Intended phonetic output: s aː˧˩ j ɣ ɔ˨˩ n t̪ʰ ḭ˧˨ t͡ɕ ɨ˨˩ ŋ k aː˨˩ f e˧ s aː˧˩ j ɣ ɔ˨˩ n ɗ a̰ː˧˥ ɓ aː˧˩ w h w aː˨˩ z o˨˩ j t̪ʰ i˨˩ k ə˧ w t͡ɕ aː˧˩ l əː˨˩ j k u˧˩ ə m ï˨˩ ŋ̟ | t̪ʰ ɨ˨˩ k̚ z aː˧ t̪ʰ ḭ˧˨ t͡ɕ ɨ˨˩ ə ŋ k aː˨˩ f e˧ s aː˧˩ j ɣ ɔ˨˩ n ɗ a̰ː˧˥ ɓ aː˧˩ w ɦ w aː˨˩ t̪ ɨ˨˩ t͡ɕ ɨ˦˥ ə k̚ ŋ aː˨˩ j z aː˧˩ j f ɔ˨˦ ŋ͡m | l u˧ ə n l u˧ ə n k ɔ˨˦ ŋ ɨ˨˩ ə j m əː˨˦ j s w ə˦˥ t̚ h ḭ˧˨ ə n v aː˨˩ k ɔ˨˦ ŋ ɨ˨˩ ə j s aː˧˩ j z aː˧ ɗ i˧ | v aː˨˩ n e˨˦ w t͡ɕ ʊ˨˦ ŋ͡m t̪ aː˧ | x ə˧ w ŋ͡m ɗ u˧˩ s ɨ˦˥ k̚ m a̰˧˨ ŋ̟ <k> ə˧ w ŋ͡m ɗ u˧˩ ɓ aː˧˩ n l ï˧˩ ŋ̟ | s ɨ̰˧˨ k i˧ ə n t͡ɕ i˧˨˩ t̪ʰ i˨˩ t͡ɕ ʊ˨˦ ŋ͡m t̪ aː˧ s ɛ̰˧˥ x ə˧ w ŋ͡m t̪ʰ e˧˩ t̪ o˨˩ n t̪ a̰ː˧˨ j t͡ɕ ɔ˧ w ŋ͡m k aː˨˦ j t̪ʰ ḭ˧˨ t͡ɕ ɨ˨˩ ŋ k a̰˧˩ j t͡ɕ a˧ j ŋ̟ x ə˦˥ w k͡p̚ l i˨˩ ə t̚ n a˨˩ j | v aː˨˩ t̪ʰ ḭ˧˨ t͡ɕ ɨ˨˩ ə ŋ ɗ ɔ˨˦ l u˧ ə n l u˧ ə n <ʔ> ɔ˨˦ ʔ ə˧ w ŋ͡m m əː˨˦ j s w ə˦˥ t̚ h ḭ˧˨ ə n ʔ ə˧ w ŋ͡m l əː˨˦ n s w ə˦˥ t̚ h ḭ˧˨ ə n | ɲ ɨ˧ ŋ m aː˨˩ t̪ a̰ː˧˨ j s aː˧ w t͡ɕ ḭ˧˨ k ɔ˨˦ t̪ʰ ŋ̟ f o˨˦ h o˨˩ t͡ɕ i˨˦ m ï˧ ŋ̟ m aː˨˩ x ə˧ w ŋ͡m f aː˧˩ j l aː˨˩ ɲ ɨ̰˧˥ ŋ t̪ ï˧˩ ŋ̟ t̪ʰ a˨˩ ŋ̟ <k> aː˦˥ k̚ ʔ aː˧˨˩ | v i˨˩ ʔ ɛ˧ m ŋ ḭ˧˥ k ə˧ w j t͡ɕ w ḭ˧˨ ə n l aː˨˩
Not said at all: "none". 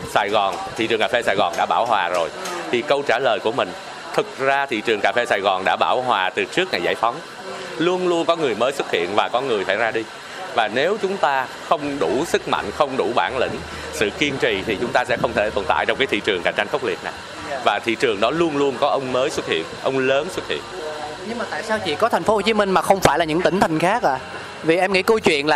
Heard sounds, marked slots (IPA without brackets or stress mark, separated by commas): x, k, x